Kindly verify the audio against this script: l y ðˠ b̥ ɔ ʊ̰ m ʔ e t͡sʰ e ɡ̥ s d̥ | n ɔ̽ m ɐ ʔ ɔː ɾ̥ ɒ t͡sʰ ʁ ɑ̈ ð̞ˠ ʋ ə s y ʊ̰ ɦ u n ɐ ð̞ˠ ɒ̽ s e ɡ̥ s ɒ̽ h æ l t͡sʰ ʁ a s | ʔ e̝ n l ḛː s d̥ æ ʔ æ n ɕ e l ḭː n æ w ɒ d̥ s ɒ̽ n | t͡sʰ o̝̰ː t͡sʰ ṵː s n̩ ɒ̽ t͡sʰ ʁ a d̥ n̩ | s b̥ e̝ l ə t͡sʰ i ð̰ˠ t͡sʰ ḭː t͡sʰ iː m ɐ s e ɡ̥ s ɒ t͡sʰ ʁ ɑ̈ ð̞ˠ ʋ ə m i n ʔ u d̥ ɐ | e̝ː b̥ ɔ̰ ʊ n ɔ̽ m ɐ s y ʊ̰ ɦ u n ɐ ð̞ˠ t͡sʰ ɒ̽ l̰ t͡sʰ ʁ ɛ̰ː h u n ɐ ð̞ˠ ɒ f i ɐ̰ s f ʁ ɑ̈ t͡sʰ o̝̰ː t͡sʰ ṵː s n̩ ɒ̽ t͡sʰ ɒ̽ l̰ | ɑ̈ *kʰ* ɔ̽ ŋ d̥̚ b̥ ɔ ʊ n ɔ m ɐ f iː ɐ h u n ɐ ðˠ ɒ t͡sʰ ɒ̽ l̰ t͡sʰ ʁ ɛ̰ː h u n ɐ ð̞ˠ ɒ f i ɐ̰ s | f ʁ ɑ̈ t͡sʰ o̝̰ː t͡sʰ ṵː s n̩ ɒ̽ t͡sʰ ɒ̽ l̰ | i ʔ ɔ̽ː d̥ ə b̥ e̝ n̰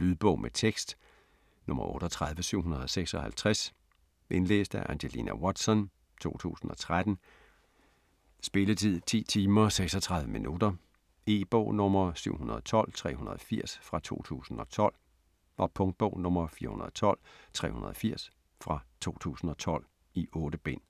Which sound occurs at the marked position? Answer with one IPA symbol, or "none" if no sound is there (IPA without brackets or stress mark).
pʰ